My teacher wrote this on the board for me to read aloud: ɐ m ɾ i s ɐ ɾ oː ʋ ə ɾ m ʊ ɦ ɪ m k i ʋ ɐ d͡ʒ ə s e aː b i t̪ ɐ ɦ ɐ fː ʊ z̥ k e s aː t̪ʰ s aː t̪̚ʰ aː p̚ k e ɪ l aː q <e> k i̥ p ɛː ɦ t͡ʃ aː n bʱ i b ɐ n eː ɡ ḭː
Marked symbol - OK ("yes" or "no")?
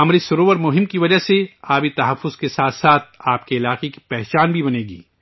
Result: yes